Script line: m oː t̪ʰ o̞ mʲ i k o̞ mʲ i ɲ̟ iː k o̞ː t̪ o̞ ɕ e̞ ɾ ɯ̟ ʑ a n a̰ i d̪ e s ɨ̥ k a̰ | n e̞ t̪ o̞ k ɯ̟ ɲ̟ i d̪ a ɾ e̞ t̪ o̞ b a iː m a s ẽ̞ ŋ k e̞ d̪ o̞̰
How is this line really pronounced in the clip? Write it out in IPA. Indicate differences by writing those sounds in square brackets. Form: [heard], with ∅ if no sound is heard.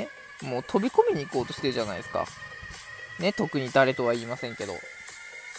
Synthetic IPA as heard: m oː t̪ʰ o̞ [bʲ] i k o̞ mʲ i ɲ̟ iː k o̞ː t̪ o̞ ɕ e̞ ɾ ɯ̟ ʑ a n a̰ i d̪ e s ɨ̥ k a̰ | n e̞ t̪ o̞ k ɯ̟ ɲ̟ i d̪ a ɾ e̞ t̪ o̞ [β] a iː m a s ẽ̞ ŋ k e̞ d̪ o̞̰